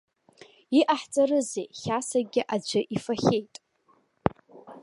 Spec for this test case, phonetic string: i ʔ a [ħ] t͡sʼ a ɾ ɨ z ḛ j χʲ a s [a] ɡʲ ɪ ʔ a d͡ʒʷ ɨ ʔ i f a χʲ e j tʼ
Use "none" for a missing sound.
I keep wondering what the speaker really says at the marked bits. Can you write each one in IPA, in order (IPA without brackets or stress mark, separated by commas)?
ħ, a